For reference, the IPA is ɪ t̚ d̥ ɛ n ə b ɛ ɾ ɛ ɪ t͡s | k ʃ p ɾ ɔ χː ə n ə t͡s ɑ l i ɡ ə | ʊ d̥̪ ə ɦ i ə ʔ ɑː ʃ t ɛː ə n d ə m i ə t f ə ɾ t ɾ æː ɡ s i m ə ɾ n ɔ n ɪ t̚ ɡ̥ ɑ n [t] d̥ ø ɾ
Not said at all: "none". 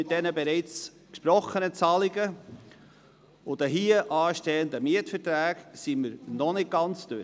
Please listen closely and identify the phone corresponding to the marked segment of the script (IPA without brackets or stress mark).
t͡s